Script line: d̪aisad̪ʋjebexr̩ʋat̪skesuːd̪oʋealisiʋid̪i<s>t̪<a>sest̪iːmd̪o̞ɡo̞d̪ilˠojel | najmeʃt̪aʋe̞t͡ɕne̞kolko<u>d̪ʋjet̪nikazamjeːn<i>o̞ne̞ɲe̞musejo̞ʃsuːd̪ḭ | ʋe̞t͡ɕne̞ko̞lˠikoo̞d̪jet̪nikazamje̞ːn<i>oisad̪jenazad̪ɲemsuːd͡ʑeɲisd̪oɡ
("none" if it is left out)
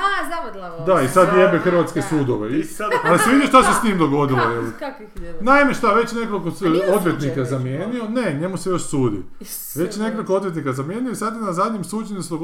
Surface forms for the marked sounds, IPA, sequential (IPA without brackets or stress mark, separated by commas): ʃ, a, o, i, i